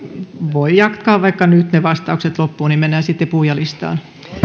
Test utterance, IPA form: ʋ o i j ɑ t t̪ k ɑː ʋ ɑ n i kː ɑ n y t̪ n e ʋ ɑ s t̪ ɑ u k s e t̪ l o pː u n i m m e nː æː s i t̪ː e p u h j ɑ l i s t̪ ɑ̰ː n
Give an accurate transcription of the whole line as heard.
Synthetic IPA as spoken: ʋ o i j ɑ k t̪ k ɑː ʋ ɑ i kː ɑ n y t̪ n e ʋ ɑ s t̪ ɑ u k s e t̪ l o pː uː n i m m e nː æː s i t̪ː e p u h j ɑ l i s t̪ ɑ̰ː n